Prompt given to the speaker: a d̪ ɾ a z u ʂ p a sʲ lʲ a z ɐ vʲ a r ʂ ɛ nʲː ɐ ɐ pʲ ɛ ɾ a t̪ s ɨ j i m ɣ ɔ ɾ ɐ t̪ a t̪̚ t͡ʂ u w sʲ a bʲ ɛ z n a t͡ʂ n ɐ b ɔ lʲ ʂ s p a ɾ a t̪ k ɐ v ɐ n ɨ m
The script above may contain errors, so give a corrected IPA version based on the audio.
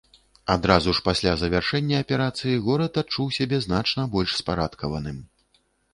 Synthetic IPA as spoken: a d̪ ɾ a z u ʂ p a sʲ lʲ a z ɐ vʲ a r ʂ ɛ nʲː ɐ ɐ pʲ ɛ ɾ a t̪ s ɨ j i ɣ ɔ ɾ ɐ t̪ a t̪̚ t͡ʂ u w sʲ a bʲ ɛ z n a t͡ʂ n ɐ b ɔ lʲ ʂ s p a ɾ a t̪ k ɐ v ɐ n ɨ m